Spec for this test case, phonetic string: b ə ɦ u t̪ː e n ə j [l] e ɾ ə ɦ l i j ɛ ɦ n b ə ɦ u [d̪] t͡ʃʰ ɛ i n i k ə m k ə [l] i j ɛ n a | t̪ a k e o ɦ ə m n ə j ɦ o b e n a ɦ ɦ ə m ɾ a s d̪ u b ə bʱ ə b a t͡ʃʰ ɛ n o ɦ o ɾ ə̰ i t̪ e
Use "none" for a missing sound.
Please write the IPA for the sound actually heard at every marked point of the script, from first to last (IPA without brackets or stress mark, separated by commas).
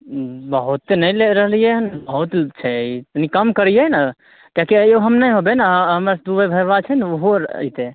l, t̪, ɾ